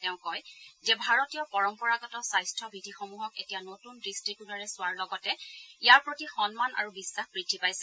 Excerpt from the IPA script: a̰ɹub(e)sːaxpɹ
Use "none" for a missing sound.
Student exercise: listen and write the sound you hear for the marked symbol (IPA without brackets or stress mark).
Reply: i